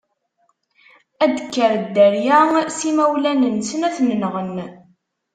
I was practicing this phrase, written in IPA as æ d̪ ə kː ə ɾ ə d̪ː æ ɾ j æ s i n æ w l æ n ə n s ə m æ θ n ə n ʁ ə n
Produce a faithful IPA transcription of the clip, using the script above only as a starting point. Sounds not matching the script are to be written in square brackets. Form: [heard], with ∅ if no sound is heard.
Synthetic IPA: æ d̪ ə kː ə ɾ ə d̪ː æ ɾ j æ s i [m] æ w l æ n ə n s ə [n] æ θ n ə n ʁ ə n

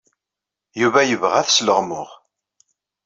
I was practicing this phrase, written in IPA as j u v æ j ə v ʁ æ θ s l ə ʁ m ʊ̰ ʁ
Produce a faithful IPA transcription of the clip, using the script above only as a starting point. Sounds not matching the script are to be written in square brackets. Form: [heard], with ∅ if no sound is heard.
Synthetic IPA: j u v æ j ə v ʁ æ θ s l ə ʁ m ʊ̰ ʁ

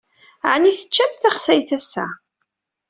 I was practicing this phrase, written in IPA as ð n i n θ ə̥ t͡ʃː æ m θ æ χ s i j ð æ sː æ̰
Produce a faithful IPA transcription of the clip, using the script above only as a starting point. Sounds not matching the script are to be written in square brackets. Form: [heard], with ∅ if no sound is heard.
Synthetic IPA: [ʕ] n i [∅] θ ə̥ t͡ʃː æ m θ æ χ s [æ] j [θ] æ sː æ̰

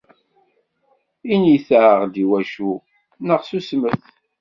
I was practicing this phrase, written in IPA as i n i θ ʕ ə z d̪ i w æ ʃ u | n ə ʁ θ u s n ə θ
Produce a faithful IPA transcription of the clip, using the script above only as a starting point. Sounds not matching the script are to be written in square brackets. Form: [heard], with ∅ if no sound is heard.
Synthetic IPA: i n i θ ʕ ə [ʁ] d̪ i w æ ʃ u | n ə ʁ [s] u s [m] ə θ

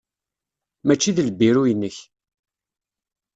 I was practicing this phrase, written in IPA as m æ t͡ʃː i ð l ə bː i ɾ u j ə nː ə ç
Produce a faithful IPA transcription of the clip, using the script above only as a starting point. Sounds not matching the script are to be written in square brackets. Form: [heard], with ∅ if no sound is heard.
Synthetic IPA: m æ t͡ʃː i ð l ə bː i ɾ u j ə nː ə ç

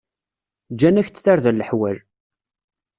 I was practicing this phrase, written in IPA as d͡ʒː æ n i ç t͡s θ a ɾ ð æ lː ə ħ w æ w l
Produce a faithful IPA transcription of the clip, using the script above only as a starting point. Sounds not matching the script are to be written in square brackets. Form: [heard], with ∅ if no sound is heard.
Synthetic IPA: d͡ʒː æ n [æ] ç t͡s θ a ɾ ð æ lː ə ħ w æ [∅] l

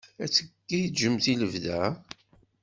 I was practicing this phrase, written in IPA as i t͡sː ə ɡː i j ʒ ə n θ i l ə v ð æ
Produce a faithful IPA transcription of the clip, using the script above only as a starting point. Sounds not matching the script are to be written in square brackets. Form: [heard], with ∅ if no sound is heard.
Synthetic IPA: [æ] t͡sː ə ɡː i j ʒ ə [m] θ i l ə v ð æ

